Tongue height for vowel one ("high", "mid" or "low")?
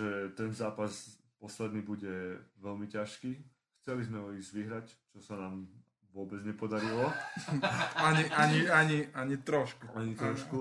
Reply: mid